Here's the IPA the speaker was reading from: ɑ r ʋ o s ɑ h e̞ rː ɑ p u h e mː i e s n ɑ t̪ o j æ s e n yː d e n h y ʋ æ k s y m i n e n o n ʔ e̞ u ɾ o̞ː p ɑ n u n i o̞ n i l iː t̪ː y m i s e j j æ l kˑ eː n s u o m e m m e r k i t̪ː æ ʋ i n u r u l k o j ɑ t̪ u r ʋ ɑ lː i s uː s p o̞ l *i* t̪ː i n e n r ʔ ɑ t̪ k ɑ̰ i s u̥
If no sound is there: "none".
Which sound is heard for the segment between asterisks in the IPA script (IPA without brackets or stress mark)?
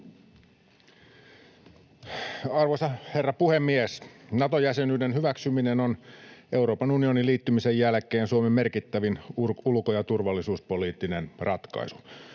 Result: iː